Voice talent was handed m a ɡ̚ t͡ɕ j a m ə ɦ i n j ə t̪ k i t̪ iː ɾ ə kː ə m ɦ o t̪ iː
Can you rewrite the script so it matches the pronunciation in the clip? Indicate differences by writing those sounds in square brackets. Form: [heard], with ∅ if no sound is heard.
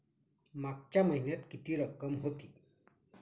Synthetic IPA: m a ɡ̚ t͡ɕ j a m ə ɦ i n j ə t̪ k i t̪ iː ɾ ə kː ə m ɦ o t̪ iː